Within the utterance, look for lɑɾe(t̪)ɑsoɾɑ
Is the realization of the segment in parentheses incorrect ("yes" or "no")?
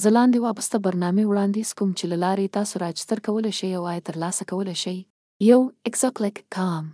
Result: no